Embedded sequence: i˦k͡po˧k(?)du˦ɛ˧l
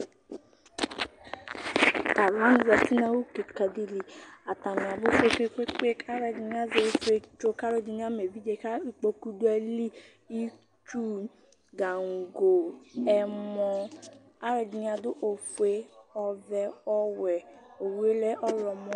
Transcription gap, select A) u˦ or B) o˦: A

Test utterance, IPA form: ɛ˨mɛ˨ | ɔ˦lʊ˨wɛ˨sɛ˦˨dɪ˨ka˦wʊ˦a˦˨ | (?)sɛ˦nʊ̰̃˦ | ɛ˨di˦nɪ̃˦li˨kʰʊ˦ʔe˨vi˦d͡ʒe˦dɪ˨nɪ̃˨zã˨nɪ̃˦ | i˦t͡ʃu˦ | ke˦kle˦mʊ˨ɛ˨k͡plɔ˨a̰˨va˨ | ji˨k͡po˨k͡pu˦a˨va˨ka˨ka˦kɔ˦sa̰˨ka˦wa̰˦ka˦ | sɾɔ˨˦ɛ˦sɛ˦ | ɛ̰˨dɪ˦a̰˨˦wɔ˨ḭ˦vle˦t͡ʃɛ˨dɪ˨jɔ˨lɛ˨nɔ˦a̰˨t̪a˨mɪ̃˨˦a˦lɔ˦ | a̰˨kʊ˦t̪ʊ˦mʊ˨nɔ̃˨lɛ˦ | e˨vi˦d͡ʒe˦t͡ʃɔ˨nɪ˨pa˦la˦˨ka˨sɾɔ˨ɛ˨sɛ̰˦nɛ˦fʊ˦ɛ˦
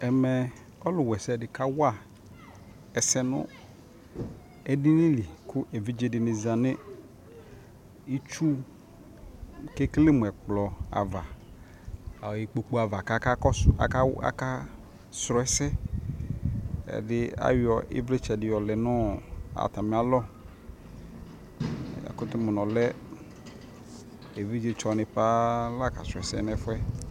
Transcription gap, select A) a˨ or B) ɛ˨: B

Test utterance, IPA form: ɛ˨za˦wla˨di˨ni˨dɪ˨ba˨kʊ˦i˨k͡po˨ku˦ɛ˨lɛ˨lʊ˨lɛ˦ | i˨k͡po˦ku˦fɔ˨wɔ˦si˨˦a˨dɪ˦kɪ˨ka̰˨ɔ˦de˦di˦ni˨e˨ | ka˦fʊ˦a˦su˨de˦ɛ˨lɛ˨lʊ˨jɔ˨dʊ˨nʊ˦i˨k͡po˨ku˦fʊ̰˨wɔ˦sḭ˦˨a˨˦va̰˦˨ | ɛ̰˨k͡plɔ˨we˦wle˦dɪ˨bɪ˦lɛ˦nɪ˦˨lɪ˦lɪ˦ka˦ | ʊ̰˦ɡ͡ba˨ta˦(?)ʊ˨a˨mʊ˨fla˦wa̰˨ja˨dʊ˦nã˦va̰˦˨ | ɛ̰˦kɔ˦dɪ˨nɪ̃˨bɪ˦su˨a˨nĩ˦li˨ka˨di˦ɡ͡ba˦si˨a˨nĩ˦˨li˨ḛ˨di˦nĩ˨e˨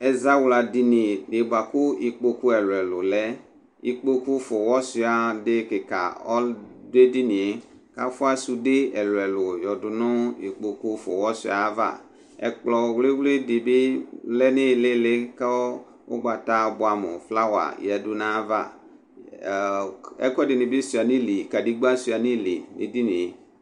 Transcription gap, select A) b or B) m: A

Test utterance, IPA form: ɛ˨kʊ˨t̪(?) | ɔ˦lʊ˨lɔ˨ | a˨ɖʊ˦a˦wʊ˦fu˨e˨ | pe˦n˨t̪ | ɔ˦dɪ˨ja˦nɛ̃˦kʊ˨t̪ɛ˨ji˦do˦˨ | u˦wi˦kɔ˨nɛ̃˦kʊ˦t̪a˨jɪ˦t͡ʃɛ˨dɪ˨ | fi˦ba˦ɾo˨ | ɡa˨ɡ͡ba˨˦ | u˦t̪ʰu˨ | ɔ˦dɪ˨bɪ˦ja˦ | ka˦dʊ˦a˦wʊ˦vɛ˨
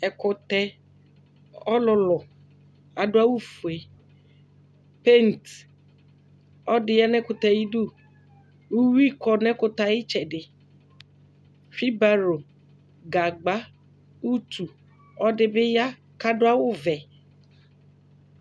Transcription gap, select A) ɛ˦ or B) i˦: A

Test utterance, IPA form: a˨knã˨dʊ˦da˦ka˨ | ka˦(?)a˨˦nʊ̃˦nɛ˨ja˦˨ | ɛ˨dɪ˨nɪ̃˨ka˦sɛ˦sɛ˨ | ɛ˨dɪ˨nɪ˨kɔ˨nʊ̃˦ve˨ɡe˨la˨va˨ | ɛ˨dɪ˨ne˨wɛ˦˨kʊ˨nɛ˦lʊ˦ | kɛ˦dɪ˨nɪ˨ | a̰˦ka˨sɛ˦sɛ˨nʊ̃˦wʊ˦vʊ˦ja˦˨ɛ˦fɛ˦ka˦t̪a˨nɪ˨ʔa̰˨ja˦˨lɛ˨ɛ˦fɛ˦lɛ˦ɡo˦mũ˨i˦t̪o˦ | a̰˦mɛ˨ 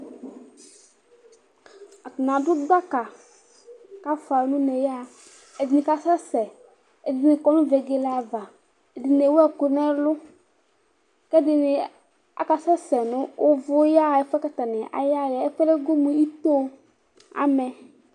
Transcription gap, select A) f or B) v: A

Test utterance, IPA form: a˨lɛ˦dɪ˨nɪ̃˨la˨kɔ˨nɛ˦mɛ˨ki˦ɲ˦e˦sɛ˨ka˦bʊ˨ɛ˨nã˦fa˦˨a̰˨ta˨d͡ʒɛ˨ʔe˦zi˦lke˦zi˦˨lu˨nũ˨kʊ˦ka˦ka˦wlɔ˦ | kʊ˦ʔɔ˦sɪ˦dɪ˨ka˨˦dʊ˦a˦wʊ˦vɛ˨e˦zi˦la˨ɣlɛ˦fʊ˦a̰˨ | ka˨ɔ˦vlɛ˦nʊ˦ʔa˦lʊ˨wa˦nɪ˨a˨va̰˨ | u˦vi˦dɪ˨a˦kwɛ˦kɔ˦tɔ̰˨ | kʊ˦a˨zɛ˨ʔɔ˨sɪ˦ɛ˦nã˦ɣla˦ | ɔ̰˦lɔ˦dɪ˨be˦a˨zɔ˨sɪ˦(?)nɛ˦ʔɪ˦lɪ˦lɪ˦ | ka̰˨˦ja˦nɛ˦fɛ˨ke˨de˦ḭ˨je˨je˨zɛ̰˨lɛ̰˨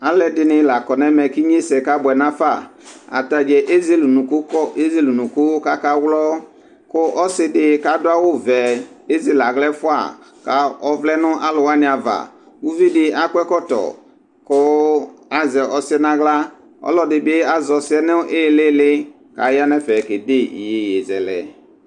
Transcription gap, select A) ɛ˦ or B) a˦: A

